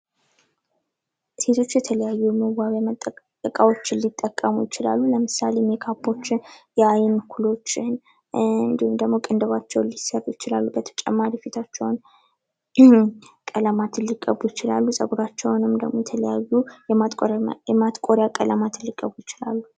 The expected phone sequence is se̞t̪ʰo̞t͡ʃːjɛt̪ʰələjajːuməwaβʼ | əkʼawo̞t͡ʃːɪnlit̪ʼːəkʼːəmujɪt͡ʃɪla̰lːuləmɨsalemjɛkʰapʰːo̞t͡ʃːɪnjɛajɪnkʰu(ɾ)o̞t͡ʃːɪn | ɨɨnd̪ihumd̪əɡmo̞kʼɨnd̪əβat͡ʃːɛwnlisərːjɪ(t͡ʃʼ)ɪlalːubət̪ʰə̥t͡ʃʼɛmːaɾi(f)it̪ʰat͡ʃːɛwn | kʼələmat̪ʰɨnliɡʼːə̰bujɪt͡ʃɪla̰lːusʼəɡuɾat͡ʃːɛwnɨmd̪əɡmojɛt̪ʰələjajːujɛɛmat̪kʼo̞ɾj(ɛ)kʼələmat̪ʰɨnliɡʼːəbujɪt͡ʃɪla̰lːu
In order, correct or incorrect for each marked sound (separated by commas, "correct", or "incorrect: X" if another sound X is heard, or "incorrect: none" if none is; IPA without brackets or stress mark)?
incorrect: l, incorrect: t͡ʃ, correct, incorrect: a